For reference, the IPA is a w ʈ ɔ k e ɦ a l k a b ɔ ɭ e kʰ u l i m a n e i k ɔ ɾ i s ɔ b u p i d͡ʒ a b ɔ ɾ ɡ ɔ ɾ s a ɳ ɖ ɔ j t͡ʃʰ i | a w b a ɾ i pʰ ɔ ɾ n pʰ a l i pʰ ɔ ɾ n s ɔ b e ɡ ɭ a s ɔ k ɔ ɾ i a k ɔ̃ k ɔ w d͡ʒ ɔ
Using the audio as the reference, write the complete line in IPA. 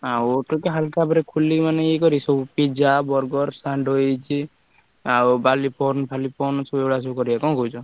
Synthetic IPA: a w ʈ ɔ k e ɦ a l k a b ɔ ɾ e kʰ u l i m a n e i k ɔ ɾ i s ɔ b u p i d͡ʒ a b ɔ ɾ ɡ ɔ ɾ s a ɳ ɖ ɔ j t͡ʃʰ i | a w b a l i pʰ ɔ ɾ n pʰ a l i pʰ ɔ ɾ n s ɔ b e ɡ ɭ a s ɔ k ɔ ɾ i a k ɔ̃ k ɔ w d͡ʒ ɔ